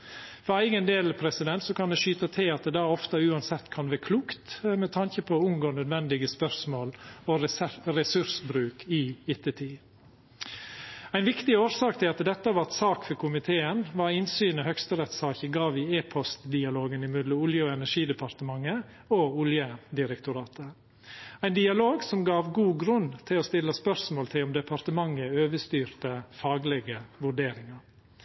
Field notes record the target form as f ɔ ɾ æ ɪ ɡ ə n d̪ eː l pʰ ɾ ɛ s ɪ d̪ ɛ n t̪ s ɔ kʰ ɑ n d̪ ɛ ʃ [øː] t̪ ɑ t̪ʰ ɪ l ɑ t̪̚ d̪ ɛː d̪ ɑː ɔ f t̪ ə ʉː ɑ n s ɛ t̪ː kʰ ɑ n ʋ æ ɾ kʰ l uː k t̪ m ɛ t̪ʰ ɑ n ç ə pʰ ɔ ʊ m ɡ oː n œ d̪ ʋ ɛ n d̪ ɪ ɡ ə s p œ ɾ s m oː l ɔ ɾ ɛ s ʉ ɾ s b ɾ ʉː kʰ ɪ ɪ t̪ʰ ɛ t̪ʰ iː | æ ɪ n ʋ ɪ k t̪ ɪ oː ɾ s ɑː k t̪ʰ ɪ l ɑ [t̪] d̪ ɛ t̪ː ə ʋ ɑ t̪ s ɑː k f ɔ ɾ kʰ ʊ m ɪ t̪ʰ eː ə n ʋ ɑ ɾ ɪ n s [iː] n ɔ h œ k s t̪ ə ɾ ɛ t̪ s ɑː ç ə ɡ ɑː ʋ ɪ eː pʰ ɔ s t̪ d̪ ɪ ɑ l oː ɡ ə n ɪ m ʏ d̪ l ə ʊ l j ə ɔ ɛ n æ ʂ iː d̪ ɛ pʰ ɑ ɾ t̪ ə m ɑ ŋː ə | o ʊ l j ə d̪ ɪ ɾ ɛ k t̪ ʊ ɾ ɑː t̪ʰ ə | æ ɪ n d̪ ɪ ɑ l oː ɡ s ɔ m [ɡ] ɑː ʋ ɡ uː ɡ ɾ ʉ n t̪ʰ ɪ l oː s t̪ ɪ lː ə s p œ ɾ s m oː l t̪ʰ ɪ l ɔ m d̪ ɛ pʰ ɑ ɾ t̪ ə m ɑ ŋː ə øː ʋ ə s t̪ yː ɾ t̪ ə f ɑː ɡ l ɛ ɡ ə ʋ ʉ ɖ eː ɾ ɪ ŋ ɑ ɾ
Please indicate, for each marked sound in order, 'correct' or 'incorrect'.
incorrect: yː, correct, incorrect: yː, correct

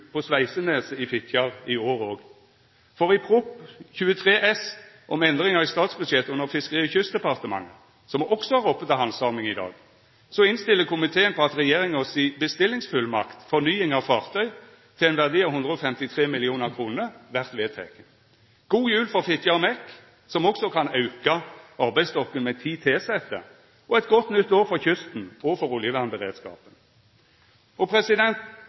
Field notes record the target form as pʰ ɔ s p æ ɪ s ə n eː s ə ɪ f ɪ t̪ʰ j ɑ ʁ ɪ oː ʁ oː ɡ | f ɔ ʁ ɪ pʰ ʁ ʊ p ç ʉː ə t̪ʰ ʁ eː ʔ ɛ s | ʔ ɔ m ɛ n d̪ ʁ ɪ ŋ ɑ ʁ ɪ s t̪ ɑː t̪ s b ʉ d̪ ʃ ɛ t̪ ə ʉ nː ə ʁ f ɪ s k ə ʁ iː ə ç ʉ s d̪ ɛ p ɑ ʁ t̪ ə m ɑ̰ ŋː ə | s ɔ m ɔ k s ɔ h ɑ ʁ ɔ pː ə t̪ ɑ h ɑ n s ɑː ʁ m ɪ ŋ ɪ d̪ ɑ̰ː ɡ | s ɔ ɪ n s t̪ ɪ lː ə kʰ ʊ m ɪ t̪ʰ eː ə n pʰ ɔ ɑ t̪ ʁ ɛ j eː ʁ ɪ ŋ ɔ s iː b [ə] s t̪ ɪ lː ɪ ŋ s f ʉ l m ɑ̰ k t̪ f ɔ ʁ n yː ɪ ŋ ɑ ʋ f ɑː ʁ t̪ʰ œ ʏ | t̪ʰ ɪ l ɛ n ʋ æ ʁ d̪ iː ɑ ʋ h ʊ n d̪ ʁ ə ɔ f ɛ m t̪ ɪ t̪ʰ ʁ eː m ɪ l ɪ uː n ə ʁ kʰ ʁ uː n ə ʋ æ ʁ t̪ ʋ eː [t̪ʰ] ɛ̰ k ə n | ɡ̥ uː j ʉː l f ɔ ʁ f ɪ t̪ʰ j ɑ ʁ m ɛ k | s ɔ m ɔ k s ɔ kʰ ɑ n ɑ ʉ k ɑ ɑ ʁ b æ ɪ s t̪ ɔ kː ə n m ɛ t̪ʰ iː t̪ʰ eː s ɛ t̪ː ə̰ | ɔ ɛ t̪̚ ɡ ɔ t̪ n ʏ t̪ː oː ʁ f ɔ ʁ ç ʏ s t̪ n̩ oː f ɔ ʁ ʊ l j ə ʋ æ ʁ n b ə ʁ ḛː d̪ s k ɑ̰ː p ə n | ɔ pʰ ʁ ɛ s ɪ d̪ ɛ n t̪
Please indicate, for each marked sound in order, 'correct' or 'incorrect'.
correct, correct

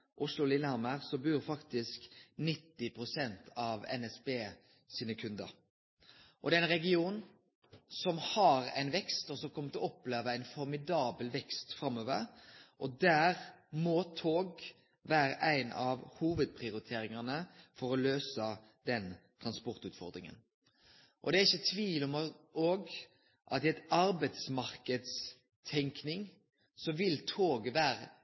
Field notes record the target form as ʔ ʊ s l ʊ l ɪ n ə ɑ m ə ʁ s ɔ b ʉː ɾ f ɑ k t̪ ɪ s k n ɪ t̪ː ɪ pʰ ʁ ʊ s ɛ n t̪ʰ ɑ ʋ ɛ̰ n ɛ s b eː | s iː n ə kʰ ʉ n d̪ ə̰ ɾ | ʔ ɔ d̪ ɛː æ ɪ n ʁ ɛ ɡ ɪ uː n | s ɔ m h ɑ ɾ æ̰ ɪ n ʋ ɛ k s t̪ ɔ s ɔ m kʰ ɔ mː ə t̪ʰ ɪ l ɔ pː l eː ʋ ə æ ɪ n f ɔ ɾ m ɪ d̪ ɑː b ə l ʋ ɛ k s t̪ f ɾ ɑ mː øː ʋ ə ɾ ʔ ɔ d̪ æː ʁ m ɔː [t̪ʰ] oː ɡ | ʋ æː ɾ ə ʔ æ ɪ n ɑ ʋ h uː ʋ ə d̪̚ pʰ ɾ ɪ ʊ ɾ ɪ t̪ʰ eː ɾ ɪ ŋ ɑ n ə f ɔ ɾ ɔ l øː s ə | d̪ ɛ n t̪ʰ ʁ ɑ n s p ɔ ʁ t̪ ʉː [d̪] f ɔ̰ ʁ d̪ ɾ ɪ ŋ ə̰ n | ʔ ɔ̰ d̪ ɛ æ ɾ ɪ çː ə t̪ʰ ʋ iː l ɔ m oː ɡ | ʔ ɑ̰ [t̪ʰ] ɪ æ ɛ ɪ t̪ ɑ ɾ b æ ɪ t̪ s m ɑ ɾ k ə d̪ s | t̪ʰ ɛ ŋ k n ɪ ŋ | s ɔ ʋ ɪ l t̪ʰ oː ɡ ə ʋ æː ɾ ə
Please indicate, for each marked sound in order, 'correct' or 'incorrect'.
correct, incorrect: t̪, incorrect: t̪

